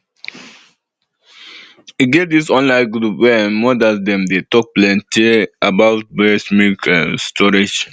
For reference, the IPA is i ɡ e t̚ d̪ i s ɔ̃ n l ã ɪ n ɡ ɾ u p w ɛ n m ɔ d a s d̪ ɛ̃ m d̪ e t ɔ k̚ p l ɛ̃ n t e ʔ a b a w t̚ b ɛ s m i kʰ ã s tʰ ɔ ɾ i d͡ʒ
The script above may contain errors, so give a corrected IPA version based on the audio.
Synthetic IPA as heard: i ɡ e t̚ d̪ i s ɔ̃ n l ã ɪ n ɡ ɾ u p w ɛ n m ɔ d a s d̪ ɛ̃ m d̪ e t ɔ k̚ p l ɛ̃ n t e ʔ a b a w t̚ b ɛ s m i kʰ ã s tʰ ɔ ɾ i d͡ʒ

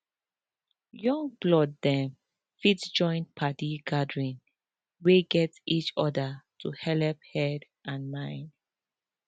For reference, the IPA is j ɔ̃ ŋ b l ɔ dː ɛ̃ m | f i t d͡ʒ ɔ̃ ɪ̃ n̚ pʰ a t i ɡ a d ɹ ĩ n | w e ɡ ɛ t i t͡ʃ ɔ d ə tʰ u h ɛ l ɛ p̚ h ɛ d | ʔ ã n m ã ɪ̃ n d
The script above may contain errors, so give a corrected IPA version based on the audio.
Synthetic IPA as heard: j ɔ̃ ŋ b l ɔ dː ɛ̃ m | f i t d͡ʒ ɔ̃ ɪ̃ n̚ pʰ a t i ɡ a d ɹ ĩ n | w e ɡ ɛ t i t͡ʃ ɔ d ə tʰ u h ɛ l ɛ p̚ h ɛ d | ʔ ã n m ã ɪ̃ n d

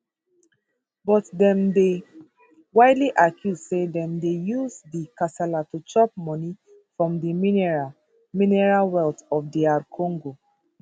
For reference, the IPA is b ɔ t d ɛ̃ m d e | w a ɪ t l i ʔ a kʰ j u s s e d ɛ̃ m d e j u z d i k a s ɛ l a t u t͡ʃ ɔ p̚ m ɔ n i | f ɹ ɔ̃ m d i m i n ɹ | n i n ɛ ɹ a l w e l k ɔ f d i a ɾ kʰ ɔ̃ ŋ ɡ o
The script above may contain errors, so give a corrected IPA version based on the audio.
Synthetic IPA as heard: b ɔ t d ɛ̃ m d e | w a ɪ d l i ʔ a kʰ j u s s e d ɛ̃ m d e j u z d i k a s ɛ l a t u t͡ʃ ɔ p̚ m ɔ n i | f ɹ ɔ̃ m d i m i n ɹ | m i n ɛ ɹ a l w ɛ l t ɔ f d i a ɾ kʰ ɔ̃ ŋ ɡ o

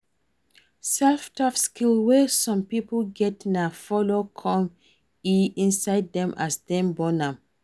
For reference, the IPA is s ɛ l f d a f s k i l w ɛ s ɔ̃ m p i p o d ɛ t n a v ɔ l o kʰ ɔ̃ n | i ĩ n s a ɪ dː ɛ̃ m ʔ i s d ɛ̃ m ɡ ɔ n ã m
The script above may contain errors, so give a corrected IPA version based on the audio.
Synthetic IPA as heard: s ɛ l f t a f s k i l w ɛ s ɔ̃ m p i p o ɡ ɛ t n a f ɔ l o kʰ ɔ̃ m | i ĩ n s a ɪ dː ɛ̃ m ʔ a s d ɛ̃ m b ɔ n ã m

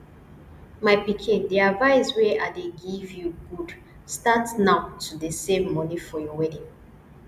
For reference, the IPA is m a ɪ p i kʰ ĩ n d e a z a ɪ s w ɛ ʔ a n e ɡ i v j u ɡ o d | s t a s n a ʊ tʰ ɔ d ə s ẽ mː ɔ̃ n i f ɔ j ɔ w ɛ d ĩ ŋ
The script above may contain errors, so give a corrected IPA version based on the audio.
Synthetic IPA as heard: m a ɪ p i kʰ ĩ n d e a v a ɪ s w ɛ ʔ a d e ɡ i v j u ɡ u d | s t a t n a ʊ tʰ u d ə s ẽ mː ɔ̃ n i f ɔ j ɔ w ɛ d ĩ ŋ

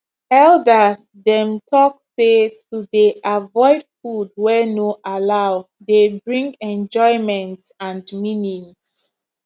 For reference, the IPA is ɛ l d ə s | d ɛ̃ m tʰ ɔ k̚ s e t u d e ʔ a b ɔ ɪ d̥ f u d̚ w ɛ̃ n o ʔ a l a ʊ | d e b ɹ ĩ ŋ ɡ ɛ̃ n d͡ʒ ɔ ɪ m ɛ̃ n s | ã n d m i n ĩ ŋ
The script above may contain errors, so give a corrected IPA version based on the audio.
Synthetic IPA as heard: ɛ l d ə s | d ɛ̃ m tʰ ɔ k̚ s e t u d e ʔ a v ɔ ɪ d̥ f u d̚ w ɛ n o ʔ a l a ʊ | d e b ɹ ĩ ŋ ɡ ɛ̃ n d͡ʒ ɔ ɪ m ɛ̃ n t | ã n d m i n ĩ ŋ

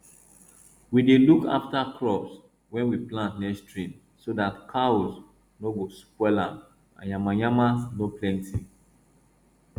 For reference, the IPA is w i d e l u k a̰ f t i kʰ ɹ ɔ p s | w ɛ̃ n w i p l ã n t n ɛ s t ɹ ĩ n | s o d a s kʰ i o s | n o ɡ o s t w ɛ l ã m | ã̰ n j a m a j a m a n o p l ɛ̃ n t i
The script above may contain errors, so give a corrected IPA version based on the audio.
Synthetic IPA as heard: w i d e l u k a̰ f t a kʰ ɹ ɔ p s | w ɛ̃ n w i p l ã n t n ɛ s t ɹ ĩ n | s o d a t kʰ a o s | n o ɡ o s p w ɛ l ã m | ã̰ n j a m a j a m a n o p l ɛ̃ n t i

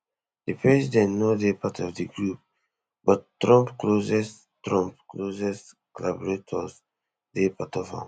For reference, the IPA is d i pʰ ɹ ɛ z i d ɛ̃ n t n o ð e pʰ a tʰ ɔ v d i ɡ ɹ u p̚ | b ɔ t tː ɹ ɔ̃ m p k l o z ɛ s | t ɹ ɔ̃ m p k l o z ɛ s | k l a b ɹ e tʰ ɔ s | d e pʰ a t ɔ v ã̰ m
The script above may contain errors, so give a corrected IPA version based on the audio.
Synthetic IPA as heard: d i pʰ ɹ ɛ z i d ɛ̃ n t n o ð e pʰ a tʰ ɔ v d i ɡ ɹ u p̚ | b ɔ t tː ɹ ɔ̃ m p k l o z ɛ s | t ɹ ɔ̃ m p k l o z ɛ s | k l a b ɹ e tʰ ɔ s | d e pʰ a t ɔ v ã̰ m

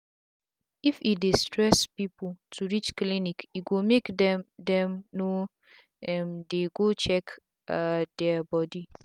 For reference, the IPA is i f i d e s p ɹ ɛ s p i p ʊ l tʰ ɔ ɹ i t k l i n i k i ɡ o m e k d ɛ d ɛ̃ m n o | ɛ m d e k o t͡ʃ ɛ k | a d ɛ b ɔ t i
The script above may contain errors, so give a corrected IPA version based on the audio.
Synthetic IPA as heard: i f i d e s t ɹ ɛ s p i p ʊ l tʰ u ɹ i t͡ʃ k l i n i k i ɡ o m e k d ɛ d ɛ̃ m n o | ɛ m d e ɡ o t͡ʃ ɛ k | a d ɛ b ɔ d i

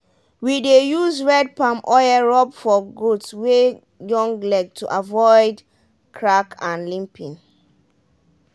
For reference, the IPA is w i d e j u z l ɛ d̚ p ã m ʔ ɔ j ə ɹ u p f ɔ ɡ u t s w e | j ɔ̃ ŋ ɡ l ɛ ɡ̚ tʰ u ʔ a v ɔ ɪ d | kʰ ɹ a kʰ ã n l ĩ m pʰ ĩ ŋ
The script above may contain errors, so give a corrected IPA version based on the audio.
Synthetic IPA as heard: w i d e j u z ɹ ɛ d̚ p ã m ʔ ɔ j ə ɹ ɔ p f ɔ ɡ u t s w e | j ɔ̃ ŋ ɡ l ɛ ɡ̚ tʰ u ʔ a v ɔ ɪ d | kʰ ɹ a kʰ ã n l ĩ m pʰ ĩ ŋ

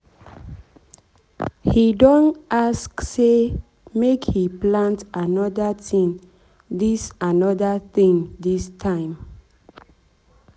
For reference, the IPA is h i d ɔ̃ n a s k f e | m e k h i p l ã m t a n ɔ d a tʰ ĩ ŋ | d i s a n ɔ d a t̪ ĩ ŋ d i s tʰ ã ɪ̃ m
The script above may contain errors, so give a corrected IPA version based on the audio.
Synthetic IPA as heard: h i d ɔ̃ n a s k s e | m e k h i p l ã n t a n ɔ d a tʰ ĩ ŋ | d i s a n ɔ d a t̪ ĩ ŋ d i s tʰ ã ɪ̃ m

